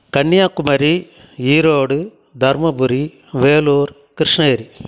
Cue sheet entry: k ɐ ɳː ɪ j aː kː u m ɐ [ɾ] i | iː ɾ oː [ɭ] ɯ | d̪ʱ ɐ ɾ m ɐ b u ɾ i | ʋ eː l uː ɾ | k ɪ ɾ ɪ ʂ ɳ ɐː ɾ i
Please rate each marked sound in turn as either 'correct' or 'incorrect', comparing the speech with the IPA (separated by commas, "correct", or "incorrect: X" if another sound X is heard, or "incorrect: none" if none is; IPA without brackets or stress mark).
correct, incorrect: ɽ